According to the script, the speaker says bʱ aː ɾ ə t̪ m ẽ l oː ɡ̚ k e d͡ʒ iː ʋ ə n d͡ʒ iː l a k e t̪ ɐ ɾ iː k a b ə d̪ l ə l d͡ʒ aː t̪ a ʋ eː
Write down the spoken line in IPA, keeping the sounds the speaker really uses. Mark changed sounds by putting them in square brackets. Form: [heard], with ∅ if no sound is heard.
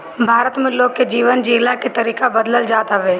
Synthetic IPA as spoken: bʱ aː ɾ ə t̪ m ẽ l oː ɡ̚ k e d͡ʒ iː ʋ ə n d͡ʒ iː l a k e t̪ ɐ ɾ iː k a b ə d̪ l ə l d͡ʒ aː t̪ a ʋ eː